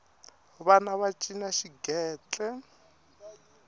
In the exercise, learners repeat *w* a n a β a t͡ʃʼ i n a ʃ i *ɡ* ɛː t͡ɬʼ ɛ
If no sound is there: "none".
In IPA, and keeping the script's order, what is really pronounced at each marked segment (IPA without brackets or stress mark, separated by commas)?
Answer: β, ɡ